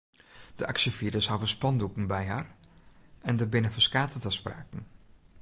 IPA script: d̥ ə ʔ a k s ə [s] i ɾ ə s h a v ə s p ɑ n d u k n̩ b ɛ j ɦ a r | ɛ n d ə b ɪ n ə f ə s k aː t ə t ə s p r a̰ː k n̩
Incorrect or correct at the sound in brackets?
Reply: incorrect: f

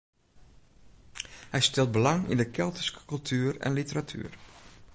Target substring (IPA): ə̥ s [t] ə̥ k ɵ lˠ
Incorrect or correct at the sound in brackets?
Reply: incorrect: k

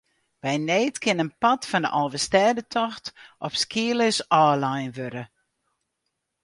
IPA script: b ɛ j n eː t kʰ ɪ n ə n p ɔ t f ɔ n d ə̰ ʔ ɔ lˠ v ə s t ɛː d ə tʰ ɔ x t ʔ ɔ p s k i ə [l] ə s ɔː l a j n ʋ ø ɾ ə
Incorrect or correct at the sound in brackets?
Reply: correct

